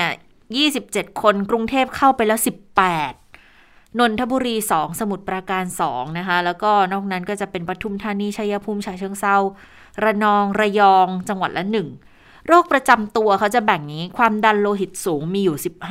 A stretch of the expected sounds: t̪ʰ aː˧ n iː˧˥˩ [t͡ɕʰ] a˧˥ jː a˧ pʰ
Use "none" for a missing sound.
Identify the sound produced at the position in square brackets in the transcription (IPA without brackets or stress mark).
t͡ɕʰ